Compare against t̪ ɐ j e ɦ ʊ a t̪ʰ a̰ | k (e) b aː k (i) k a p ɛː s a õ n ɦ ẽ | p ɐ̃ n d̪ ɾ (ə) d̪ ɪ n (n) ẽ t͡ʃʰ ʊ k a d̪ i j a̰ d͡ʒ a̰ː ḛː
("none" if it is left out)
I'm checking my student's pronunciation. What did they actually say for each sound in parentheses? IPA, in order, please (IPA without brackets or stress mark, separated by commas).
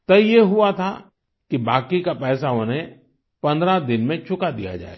i, i, a, m